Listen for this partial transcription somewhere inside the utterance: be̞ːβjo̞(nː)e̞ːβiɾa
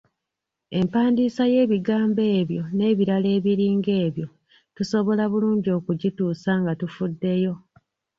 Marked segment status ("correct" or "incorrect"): incorrect